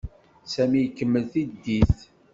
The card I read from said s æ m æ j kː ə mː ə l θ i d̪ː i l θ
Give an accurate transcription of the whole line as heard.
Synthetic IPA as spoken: s æ m i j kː ə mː ə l θ i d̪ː i θ